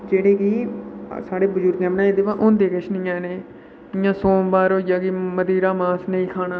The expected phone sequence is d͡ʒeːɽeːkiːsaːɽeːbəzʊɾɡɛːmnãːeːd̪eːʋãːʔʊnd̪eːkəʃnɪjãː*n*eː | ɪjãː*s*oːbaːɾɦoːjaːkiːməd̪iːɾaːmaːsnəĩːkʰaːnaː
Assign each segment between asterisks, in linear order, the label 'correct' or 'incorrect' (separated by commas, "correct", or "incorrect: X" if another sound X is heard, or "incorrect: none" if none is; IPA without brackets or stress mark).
correct, correct